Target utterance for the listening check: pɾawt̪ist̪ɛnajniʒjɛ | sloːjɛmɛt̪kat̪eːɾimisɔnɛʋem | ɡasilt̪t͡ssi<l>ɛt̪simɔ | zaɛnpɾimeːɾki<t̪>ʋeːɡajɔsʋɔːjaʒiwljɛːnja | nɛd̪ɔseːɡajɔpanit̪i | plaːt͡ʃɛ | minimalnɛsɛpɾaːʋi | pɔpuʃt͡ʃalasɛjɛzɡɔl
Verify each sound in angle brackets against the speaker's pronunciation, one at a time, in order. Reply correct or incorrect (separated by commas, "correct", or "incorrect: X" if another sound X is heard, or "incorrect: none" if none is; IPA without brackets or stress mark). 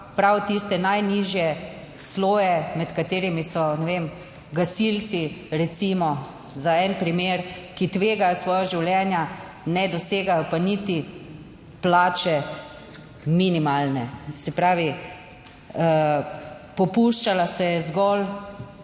incorrect: ɾ, correct